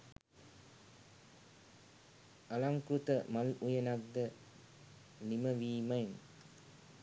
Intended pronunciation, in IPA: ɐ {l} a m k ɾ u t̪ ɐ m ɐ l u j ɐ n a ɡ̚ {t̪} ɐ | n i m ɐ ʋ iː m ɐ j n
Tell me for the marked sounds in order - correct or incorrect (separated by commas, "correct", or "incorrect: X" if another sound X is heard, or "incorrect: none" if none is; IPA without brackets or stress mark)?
correct, incorrect: d̪